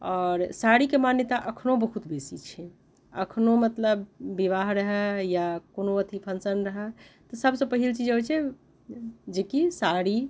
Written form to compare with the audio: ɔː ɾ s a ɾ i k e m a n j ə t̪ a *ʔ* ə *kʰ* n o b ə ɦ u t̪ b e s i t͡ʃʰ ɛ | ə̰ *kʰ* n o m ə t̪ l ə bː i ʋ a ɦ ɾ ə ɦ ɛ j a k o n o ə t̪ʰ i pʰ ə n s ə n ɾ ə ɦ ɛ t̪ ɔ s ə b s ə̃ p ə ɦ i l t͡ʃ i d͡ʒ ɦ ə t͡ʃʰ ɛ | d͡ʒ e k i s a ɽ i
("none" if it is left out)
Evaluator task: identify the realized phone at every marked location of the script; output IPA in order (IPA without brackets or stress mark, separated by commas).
ʔ, kʰ, kʰ